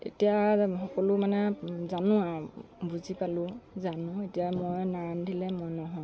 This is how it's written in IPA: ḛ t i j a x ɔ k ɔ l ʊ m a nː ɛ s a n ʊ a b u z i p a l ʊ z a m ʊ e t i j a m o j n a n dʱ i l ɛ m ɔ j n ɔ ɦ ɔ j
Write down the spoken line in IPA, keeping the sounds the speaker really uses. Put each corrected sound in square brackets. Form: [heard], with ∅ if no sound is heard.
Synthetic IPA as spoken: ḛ t i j a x ɔ k ɔ l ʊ m a [n] ɛ [z] a n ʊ a b u z i p a l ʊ z a [n] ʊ e t i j a m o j n a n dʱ i l ɛ m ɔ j n ɔ ɦ ɔ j